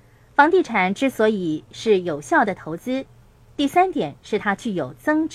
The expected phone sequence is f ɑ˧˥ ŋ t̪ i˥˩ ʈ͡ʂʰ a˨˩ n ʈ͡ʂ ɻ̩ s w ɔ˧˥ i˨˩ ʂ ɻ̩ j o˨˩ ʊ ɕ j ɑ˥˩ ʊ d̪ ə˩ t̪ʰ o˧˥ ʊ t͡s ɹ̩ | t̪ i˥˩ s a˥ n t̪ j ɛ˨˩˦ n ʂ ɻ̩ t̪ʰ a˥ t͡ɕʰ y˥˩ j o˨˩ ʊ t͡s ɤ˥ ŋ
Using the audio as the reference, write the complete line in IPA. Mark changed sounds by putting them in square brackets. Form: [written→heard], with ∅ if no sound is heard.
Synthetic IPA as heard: f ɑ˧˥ ŋ t̪ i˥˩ ʈ͡ʂʰ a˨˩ n ʈ͡ʂ ɻ̩ s w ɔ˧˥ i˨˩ ʂ ɻ̩ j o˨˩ ʊ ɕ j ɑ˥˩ ʊ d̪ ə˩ t̪ʰ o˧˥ ʊ t͡s ɹ̩ | t̪ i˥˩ s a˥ n t̪ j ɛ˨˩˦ n ʂ ɻ̩ t̪ʰ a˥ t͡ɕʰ y˥˩ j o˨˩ ʊ t͡s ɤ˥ ŋ